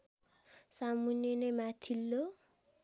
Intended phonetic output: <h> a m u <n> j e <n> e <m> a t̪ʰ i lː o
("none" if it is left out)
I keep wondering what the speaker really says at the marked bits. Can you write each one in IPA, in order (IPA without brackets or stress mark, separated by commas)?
s, n, n, m